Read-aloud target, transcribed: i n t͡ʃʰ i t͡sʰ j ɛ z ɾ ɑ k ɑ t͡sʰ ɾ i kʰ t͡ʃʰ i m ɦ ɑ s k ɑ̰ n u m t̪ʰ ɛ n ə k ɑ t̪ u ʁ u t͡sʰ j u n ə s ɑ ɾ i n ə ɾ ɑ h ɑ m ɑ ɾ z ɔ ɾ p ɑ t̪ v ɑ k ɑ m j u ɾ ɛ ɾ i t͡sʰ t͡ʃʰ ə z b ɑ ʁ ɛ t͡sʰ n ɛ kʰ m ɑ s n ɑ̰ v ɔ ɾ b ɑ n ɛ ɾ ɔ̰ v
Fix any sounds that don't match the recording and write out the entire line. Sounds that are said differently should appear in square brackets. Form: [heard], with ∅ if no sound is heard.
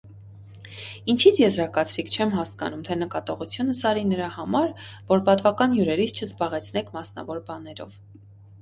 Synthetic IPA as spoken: i n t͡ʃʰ i t͡sʰ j ɛ z ɾ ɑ k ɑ t͡sʰ ɾ i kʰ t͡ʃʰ [ɛ] m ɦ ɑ s k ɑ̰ n u m t̪ʰ ɛ n ə k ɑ t̪ [ɔ] ʁ u t͡sʰ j u n ə s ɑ ɾ i n ə ɾ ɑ h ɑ m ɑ ɾ [v] ɔ ɾ p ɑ t̪ v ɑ k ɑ [n] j u ɾ ɛ ɾ i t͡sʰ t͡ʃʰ ə z b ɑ ʁ ɛ t͡sʰ n ɛ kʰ m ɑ s n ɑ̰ v ɔ ɾ b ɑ n ɛ ɾ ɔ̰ v